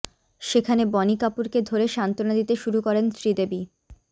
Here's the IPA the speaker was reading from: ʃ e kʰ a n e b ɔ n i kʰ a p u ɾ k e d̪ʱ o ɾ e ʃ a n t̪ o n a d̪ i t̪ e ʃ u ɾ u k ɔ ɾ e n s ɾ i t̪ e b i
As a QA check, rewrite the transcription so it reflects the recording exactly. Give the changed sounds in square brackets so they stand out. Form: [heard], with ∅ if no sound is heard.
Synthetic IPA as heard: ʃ e kʰ a n e b ɔ n i [k] a p u ɾ k e d̪ʱ o ɾ e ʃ a n t̪ o n a d̪ i t̪ e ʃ u ɾ u k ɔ ɾ e n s ɾ i [d̪] e b i